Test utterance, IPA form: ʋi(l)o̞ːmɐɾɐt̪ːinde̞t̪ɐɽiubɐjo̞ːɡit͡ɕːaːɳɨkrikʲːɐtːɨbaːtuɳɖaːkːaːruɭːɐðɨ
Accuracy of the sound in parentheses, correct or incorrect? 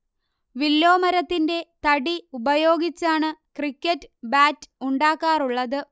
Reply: incorrect: lː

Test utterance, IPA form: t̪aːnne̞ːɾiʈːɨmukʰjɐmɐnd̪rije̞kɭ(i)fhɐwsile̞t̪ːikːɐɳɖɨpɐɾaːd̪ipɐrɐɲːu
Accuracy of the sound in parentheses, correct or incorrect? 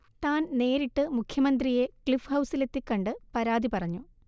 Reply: correct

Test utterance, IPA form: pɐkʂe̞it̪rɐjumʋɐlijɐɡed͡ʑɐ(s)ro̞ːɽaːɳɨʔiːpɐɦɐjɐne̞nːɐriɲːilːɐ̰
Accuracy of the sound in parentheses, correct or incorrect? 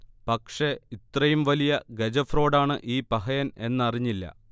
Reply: incorrect: f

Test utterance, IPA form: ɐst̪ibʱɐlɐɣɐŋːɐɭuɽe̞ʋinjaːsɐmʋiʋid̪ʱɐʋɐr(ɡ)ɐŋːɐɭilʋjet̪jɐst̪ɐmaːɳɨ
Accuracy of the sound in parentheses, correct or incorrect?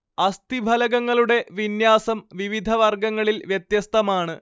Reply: correct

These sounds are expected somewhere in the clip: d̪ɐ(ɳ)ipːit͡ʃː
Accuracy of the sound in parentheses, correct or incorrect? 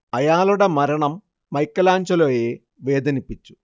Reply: incorrect: n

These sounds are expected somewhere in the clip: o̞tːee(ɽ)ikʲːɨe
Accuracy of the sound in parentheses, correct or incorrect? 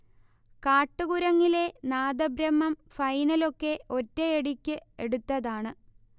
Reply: correct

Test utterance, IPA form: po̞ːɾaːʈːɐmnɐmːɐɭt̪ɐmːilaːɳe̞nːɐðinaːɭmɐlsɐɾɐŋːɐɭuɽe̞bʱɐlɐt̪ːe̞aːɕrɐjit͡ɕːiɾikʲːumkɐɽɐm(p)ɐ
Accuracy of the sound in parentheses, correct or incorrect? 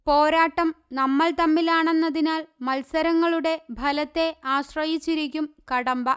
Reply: incorrect: b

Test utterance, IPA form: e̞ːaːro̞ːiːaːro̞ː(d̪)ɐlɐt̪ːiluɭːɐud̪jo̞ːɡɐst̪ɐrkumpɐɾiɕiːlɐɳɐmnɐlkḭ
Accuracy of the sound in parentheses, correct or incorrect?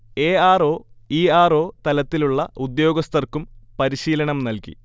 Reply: incorrect: t̪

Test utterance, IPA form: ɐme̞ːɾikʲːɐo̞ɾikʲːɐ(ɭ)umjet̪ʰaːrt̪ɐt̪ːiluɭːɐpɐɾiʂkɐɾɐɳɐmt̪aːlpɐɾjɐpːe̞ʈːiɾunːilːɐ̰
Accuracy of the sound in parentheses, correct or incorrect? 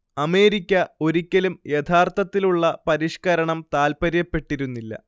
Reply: incorrect: l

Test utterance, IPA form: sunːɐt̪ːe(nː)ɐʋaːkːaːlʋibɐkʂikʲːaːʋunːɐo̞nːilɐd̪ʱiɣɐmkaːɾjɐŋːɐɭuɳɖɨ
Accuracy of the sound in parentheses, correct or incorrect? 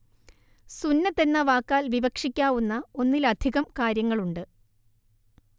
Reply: correct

